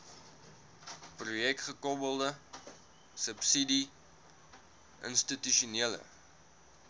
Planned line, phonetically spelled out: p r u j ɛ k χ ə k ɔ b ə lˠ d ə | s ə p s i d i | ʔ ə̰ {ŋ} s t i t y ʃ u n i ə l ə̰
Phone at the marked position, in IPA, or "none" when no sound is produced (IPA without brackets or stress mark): n